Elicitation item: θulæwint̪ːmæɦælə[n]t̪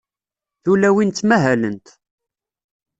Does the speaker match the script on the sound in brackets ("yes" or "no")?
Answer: yes